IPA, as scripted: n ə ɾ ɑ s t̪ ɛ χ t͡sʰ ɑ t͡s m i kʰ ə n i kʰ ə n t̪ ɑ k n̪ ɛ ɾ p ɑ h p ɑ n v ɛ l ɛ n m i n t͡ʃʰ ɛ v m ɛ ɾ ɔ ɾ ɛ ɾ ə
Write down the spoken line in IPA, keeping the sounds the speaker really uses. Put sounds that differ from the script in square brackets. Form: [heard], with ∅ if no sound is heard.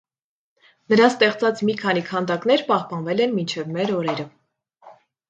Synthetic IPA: n ə ɾ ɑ s t̪ ɛ χ [t͡s] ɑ t͡s m i kʰ [ɑ] n i kʰ [ɑ] n [d̪] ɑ k n̪ ɛ ɾ p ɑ h p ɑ n v ɛ l ɛ n m i n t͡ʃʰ ɛ v m ɛ ɾ ɔ ɾ ɛ ɾ ə

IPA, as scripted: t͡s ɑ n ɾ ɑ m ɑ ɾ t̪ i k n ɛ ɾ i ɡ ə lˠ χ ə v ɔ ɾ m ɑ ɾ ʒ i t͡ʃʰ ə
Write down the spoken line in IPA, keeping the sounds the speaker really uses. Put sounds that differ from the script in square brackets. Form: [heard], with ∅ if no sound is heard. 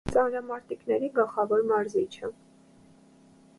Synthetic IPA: t͡s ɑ n ɾ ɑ m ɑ ɾ t̪ i k n ɛ ɾ i ɡ ə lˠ χ [ɑ] v ɔ ɾ m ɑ ɾ [z] i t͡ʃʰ ə

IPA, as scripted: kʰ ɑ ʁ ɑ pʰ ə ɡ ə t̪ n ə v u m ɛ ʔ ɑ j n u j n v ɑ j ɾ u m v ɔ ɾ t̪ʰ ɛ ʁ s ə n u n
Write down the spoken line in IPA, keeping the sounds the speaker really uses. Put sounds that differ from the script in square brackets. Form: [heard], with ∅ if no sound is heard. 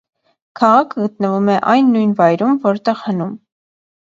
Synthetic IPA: kʰ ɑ ʁ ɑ [kʰ] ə ɡ ə t̪ n ə v u m ɛ ʔ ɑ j [nː] u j n v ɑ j ɾ u m v ɔ ɾ [t̪] ɛ ʁ [h] ə n u [m]

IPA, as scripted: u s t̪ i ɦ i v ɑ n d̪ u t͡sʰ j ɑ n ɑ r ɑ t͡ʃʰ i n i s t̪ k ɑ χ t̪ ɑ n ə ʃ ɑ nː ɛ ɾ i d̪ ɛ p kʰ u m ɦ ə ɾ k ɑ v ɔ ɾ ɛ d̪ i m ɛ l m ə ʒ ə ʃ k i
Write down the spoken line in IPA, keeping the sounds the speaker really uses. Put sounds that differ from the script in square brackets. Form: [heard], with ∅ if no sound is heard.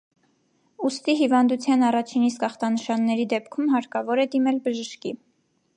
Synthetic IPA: u s t̪ i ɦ i v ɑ n d̪ u t͡sʰ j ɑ n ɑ r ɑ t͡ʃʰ i n i s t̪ k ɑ χ t̪ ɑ n ə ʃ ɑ nː ɛ ɾ i d̪ ɛ p kʰ u m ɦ [ɑ] ɾ k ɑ v ɔ ɾ ɛ d̪ i m ɛ l [b] ə ʒ ə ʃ k i

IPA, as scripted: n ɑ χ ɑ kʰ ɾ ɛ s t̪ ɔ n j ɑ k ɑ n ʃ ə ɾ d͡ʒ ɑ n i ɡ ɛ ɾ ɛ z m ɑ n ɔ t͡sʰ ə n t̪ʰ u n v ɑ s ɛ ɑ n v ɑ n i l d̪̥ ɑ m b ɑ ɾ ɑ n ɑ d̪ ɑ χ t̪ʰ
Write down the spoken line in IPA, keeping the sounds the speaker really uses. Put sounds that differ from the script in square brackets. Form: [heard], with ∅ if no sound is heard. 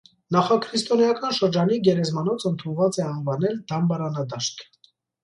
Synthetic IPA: n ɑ χ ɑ kʰ ɾ [i] s t̪ ɔ n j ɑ k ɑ n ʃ ə ɾ d͡ʒ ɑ n i ɡ ɛ ɾ ɛ z m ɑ n ɔ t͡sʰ ə n t̪ʰ u n v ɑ [t͡s] ɛ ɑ n v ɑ n [ɛ] l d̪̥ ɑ m b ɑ ɾ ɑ n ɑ d̪ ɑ [ʃ] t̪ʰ

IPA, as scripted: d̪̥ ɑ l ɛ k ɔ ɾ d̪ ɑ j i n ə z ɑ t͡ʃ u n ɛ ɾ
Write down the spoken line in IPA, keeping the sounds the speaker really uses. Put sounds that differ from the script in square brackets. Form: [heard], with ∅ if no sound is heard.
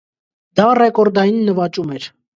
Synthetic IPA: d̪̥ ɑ [r] ɛ k ɔ ɾ d̪ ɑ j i [nː] ə [v] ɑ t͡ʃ u [m] ɛ ɾ

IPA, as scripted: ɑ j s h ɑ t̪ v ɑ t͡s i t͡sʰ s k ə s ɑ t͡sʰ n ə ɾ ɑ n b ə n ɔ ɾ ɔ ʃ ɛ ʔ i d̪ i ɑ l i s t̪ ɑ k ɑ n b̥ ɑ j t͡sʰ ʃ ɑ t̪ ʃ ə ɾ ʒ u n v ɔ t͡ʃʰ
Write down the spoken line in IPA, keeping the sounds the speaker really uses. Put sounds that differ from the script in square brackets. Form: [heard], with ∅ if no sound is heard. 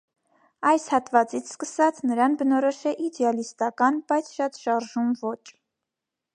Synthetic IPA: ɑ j s h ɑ t̪ v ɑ t͡s i t͡sʰ s k ə s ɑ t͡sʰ n ə ɾ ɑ n b ə n ɔ ɾ ɔ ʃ ɛ ʔ i d̪ [ɛ] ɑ l i s t̪ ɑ k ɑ n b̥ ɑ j t͡sʰ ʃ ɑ t̪ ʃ [ɑ] ɾ ʒ u [m] v ɔ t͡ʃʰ

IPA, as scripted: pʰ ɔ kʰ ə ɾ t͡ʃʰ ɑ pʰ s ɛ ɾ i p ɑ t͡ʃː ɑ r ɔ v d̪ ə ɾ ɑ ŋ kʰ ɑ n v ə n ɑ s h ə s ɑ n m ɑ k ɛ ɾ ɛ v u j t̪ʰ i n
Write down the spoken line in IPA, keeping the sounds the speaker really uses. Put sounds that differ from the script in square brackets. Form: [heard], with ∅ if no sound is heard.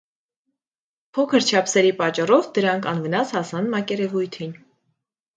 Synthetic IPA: pʰ ɔ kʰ ə ɾ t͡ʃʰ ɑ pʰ s ɛ ɾ i p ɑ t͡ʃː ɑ r ɔ v d̪ ə ɾ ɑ ŋ kʰ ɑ n v ə n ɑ s h [ɑ] s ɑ n m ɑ k ɛ ɾ ɛ v u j t̪ʰ i n

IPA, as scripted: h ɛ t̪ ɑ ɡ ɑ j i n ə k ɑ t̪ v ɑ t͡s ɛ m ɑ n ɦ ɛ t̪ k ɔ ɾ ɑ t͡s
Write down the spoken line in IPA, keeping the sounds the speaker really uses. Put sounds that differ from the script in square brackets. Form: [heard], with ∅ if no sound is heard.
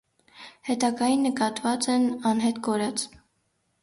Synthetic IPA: h ɛ t̪ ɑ ɡ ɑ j i [nː] ə k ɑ t̪ v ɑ t͡s ɛ [n] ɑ n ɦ ɛ t̪ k ɔ ɾ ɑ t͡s

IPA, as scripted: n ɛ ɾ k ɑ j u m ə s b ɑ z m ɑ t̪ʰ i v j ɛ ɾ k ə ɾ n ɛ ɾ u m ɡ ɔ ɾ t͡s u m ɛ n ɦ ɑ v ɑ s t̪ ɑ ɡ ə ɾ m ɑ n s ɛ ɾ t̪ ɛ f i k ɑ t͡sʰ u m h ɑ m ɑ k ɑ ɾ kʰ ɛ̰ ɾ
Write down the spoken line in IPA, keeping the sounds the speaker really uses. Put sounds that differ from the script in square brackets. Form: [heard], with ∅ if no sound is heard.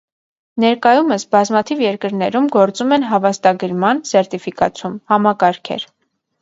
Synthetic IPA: n ɛ ɾ k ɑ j u m ə s b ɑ z m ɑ t̪ʰ i v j ɛ ɾ k ə ɾ n ɛ ɾ u m ɡ ɔ ɾ t͡s u m ɛ n ɦ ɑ v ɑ s t̪ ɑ ɡ ə ɾ m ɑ n s ɛ ɾ t̪ [i] f i k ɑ t͡sʰ u m h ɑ m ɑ k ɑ ɾ kʰ ɛ̰ ɾ

